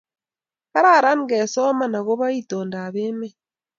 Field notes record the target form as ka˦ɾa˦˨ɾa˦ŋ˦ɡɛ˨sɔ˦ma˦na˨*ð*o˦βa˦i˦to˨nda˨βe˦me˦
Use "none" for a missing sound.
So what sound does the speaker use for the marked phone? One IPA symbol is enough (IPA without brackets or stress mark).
ɣ